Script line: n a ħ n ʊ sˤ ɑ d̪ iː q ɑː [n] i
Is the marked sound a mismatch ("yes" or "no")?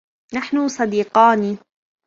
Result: no